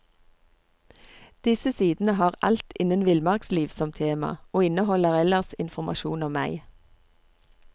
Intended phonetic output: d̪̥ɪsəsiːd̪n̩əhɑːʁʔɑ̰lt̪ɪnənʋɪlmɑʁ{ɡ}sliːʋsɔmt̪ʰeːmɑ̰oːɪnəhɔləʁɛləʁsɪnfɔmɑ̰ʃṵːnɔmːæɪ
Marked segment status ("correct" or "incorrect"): incorrect